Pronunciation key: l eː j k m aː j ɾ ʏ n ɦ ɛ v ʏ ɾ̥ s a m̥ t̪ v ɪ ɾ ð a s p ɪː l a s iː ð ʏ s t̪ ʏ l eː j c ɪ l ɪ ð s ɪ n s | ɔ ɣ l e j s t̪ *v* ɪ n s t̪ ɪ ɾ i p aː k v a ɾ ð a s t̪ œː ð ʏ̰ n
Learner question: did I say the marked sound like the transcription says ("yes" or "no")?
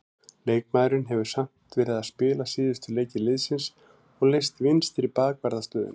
yes